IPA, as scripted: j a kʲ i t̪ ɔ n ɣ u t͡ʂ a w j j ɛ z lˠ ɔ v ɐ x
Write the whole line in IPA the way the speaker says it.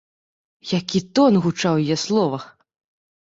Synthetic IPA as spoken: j a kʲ i t̪ ɔ n ɣ u t͡ʂ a w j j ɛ s lˠ ɔ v ɐ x